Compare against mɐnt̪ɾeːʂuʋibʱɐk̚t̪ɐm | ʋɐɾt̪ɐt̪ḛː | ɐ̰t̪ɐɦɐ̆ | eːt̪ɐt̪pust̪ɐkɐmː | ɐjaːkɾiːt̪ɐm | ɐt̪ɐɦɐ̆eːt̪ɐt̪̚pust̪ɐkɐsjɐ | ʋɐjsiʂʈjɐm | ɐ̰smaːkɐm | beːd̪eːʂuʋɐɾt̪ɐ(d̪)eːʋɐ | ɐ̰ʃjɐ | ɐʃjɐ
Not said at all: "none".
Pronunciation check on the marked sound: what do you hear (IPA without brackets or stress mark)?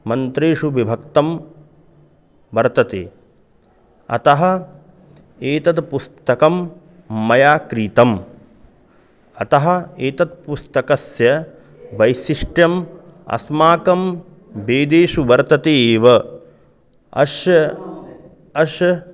t̪